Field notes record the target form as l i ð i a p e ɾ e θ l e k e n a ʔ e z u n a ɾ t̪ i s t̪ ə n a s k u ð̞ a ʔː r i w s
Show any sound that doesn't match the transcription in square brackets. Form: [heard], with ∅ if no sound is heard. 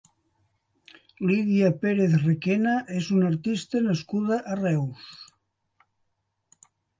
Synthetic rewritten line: l i ð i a p e ɾ e θ [r] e k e n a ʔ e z u n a ɾ t̪ i s t̪ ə n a s k u ð̞ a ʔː r [ɛ] w s